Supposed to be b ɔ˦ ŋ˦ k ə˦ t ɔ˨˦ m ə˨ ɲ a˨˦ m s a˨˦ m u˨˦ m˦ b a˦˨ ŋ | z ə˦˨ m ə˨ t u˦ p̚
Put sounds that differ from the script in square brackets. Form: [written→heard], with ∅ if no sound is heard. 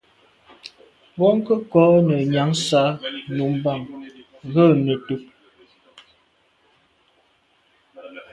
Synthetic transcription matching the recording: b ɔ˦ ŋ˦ k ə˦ [t→k] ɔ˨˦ [m→n] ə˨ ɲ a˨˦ [m→ŋ] s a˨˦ [m→n] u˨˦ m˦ b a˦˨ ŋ | [z→ɣ] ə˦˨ [m→n] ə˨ t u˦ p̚